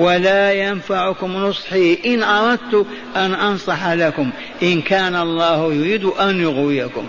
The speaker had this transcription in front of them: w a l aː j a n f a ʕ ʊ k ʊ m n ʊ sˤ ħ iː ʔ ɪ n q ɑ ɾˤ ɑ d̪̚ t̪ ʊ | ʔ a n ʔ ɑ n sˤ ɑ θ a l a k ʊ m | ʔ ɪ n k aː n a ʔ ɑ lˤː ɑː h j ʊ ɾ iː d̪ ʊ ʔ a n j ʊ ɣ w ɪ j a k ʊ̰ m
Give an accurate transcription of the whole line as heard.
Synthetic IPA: w a l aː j a n f a ʕ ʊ k ʊ m n ʊ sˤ ħ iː ʔ ɪ n ʔ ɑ ɾˤ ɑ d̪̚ t̪ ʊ | ʔ a n ʔ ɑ n sˤ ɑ ħ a l a k ʊ m | ʔ ɪ n k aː n a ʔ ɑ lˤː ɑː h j ʊ ɾ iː d̪ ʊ ʔ a n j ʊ ɣ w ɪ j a k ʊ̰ m